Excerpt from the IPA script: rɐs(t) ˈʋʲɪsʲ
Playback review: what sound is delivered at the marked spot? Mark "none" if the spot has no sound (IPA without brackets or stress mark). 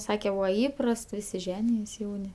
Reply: t